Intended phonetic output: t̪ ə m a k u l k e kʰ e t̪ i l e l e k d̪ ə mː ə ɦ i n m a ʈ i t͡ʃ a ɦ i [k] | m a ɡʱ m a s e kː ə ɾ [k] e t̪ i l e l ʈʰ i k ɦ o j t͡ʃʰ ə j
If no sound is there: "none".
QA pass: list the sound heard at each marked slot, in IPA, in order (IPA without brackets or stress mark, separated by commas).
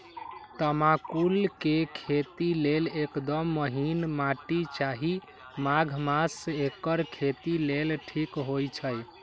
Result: none, kʰ